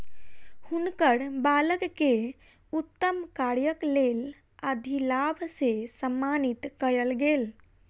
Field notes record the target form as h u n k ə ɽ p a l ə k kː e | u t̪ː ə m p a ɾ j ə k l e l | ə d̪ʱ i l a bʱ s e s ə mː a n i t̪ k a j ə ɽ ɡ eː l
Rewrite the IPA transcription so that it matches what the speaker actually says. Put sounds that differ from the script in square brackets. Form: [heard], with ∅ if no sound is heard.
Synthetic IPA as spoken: h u n k ə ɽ [b] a l ə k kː e | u t̪ː ə m [k] a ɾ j ə k l e l | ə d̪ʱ i l a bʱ s e s ə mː a n i t̪ k [ə] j ə [l] ɡ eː l